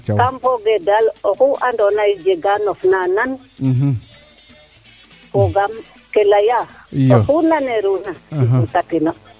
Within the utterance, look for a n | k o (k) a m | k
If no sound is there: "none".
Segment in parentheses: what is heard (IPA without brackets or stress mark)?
ɡ